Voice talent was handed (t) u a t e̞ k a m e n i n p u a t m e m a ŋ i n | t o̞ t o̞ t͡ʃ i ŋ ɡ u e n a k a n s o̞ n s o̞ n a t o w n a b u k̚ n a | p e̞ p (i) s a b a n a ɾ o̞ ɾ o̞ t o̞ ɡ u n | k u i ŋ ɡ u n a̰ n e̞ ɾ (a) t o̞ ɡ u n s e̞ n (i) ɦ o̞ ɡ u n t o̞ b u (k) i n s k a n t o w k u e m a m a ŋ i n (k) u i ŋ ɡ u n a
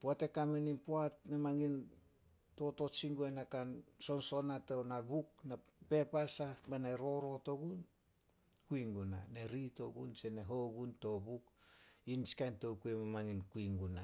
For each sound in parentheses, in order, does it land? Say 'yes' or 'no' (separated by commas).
no, no, no, no, yes, yes